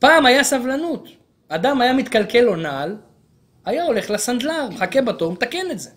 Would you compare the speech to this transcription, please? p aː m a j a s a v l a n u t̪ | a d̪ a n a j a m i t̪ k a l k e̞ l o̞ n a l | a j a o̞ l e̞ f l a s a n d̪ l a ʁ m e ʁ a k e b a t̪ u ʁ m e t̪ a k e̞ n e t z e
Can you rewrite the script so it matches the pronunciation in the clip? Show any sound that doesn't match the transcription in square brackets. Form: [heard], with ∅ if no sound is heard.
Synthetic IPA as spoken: p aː m a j a s a v l a n u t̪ | a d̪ a [m] a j a m i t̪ k a l k e̞ l o̞ n a l | a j a o̞ l e̞ [χ] l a s a n d̪ l a ʁ m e [χ] a k e b a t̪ [o] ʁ m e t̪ a k e̞ n e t z e